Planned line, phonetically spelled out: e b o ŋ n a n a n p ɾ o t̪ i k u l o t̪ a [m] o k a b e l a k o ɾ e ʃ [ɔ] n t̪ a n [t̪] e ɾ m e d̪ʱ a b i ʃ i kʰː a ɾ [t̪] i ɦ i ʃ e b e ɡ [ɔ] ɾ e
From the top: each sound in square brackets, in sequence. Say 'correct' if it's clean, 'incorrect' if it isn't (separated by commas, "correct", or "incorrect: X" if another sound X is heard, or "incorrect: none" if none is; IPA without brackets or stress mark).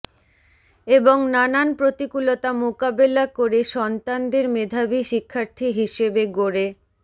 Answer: correct, correct, incorrect: d̪, incorrect: t̪ʰ, incorrect: o